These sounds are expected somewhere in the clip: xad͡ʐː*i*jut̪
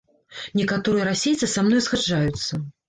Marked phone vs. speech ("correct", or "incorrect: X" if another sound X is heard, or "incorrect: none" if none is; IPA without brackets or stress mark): incorrect: a